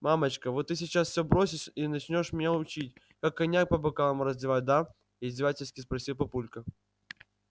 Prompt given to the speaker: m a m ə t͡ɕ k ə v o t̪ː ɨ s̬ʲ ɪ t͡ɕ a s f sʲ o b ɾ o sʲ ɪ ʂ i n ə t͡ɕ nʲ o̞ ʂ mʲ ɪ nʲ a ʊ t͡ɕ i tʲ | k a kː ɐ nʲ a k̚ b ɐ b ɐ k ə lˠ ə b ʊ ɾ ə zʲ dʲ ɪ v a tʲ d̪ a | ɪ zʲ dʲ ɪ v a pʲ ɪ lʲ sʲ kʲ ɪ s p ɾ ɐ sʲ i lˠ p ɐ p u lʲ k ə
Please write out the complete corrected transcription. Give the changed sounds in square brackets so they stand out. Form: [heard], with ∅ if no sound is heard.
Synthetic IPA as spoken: m a m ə t͡ɕ k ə v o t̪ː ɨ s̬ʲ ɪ t͡ɕ a s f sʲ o b ɾ o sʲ ɪ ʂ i n [ɐ] t͡ɕ nʲ o̞ ʂ mʲ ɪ nʲ a ʊ t͡ɕ i tʲ | k a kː ɐ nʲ a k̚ [p] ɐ b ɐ k [a] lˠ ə [m] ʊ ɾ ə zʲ dʲ ɪ v a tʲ d̪ a | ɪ zʲ dʲ ɪ v a [tʲ] ɪ lʲ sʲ kʲ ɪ s p ɾ ɐ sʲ i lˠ p ɐ p u lʲ k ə

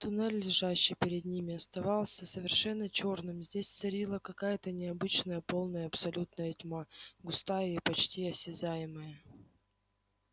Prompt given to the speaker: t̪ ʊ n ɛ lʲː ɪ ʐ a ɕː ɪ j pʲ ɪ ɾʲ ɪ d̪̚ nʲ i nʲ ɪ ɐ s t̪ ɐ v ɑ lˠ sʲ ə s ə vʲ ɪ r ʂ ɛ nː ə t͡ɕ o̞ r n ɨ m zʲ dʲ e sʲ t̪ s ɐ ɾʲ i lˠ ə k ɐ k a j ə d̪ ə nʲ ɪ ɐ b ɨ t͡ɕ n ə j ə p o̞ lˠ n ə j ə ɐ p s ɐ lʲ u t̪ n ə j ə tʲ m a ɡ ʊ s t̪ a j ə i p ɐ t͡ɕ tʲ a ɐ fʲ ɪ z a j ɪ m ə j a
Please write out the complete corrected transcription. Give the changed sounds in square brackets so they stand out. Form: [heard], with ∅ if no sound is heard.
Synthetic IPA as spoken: t̪ ʊ n ɛ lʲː ɪ ʐ a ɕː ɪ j pʲ ɪ ɾʲ ɪ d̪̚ nʲ i [mʲ] ɪ ɐ s t̪ ɐ v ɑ lˠ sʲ ə s ə vʲ ɪ r ʂ ɛ nː ə t͡ɕ o̞ r n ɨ m zʲ dʲ e sʲ t̪ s ɐ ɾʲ i lˠ ə k ɐ k a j ə [t̪] ə nʲ ɪ ɐ b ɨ t͡ɕ n ə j ə p o̞ lˠ n ə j ə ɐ p s ɐ lʲ u t̪ n ə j ə tʲ m a ɡ ʊ s t̪ a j ə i p ɐ t͡ɕ tʲ [i] ɐ [sʲ] ɪ z a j ɪ m ə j [ə]

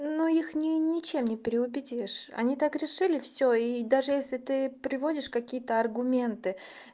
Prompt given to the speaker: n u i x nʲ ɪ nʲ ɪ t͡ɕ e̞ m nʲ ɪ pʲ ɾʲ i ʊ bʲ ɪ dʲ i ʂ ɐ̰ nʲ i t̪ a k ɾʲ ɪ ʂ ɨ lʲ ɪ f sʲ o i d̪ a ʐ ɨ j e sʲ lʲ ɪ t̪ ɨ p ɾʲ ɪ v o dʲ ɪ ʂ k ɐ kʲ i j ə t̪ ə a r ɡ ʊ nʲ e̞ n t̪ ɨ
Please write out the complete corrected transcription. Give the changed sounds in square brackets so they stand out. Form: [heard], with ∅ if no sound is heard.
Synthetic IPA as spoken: n u i x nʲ ɪ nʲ ɪ t͡ɕ e̞ m nʲ ɪ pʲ ɾʲ [ɪ] ʊ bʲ ɪ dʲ i ʂ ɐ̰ nʲ i t̪ a k ɾʲ ɪ ʂ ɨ lʲ ɪ f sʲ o i d̪ a ʐ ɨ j e sʲ lʲ ɪ t̪ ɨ p ɾʲ ɪ v o dʲ ɪ ʂ k ɐ kʲ i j ə t̪ ə [ɐ] r ɡ ʊ [mʲ] e̞ n t̪ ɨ

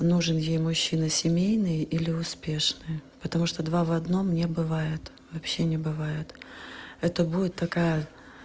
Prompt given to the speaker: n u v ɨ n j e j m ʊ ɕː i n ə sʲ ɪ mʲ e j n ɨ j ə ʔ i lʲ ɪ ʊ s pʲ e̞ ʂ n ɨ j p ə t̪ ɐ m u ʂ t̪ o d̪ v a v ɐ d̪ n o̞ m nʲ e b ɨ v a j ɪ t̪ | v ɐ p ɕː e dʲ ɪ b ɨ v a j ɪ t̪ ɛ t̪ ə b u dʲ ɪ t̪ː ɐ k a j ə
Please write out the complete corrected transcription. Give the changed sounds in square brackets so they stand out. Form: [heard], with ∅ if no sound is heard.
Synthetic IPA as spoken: n u [ʐ] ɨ n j e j m ʊ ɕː i n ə sʲ ɪ mʲ e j n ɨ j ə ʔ i lʲ ɪ ʊ s pʲ e̞ ʂ n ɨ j p ə t̪ ɐ m u ʂ t̪ o d̪ v a v ɐ d̪ n o̞ m nʲ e b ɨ v a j ɪ t̪ | v ɐ p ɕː e [nʲ] ɪ b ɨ v a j ɪ t̪ ɛ t̪ ə b u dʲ ɪ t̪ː ɐ k a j ə

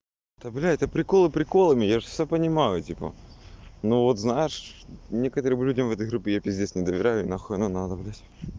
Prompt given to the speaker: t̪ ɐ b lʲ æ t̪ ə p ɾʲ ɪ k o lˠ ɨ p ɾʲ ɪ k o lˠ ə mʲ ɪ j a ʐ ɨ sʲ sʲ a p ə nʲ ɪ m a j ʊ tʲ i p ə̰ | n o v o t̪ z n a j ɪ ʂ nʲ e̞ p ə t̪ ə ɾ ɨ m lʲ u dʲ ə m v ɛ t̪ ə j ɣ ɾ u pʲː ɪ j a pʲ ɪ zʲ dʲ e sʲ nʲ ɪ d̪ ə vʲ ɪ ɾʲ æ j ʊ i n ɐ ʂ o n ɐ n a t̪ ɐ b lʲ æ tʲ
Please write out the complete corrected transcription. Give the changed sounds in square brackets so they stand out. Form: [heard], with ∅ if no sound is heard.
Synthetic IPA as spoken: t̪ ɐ b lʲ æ t̪ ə p ɾʲ ɪ k o lˠ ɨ p ɾʲ ɪ k o lˠ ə mʲ ɪ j a ʐ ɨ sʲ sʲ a p ə nʲ ɪ m a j ʊ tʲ i p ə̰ | n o v o t̪ z n a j ɪ ʂ nʲ e̞ [k] ə t̪ ə ɾ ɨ m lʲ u dʲ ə m v ɛ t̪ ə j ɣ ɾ u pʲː ɪ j a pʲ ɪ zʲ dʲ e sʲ nʲ ɪ d̪ ə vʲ ɪ ɾʲ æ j ʊ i n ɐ [x] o n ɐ n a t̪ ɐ b lʲ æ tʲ

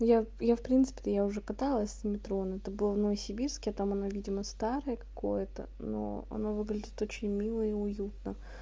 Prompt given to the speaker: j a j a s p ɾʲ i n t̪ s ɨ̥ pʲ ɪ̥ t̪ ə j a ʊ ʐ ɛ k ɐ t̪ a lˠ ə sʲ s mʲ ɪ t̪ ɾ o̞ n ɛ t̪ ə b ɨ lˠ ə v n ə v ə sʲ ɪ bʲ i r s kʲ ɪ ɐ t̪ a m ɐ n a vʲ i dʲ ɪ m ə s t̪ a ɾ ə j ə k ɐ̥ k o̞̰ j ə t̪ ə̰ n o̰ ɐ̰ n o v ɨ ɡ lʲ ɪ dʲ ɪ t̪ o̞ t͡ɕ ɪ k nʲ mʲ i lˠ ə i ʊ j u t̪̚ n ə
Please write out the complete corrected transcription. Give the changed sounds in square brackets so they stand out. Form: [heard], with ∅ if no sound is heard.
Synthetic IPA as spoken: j a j a [f] p ɾʲ i n t̪ s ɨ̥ pʲ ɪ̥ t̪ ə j a ʊ ʐ ɛ k ɐ t̪ a lˠ ə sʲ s mʲ ɪ t̪ ɾ o̞ n ɛ t̪ ə b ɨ lˠ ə v n ə v ə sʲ ɪ bʲ i r s kʲ ɪ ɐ t̪ a m ɐ n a vʲ i dʲ ɪ m ə s t̪ a ɾ ə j ə k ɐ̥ k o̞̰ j ə t̪ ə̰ n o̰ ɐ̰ n o v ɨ ɡ lʲ ɪ dʲ ɪ t̪ o̞ t͡ɕ ɪ [∅] nʲ mʲ i lˠ ə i ʊ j u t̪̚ n ə

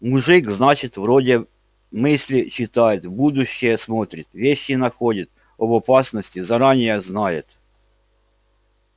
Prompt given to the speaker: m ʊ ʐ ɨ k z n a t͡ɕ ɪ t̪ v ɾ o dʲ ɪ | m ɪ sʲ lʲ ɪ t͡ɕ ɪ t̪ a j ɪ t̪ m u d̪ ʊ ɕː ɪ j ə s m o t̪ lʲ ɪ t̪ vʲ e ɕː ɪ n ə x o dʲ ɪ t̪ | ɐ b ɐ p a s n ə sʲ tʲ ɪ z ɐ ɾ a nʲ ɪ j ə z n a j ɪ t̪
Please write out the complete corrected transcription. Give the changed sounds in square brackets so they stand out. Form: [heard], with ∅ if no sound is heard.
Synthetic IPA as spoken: m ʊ ʐ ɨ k z n a t͡ɕ ɪ t̪ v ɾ o dʲ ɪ | m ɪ sʲ lʲ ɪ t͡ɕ ɪ t̪ a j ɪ t̪ [b] u d̪ ʊ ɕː ɪ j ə s m o t̪ [ɾʲ] ɪ t̪ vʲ e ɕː ɪ n [ɐ] x o dʲ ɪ t̪ | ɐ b ɐ p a s n ə sʲ tʲ ɪ z ɐ ɾ a nʲ ɪ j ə z n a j ɪ t̪

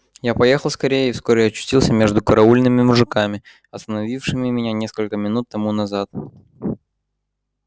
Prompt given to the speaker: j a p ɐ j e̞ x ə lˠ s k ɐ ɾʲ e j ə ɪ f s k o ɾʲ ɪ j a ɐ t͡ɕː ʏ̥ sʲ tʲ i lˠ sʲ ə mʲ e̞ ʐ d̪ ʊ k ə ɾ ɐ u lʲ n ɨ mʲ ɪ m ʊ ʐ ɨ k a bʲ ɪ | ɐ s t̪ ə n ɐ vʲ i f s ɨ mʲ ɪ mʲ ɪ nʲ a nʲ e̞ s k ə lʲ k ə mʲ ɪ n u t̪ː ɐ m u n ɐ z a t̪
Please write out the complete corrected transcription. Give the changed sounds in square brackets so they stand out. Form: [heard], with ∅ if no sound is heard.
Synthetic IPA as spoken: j a p ɐ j e̞ x ə lˠ s k ɐ ɾʲ e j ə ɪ f s k o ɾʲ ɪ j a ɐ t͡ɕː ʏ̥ sʲ tʲ i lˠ sʲ ə mʲ e̞ ʐ d̪ ʊ k ə ɾ ɐ u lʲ n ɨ mʲ ɪ m ʊ ʐ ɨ k a [mʲ] ɪ | ɐ s t̪ ə n ɐ vʲ i f [ʂ] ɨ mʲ ɪ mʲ ɪ nʲ a nʲ e̞ s k ə lʲ k ə mʲ ɪ n u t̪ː ɐ m u n ɐ z a t̪

